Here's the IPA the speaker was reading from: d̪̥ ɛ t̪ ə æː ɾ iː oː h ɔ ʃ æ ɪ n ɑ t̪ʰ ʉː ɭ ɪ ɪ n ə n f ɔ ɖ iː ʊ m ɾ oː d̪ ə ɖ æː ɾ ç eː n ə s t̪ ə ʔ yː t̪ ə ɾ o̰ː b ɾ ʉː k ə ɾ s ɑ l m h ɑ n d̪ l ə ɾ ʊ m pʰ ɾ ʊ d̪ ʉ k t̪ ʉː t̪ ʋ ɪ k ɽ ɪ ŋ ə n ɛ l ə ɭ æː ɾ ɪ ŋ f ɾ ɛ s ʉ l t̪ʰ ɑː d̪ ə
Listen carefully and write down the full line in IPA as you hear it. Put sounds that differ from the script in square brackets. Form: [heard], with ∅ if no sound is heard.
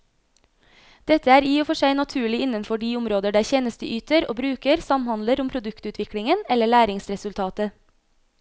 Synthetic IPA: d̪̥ ɛ t̪ ə æː ɾ iː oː [f] ɔ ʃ æ ɪ n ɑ t̪ʰ ʉː ɭ ɪ ɪ n ə n f ɔ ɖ iː ʊ m ɾ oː d̪ ə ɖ æː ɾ ç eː n ə s t̪ ə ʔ yː t̪ ə ɾ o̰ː b ɾ ʉː k ə ɾ s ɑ [∅] m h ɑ n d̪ l ə ɾ ʊ m pʰ ɾ ʊ d̪ ʉ k t̪ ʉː t̪ ʋ ɪ k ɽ ɪ ŋ ə n ɛ l ə ɭ æː ɾ ɪ ŋ [s] ɾ ɛ s ʉ l t̪ʰ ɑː [t̪] ə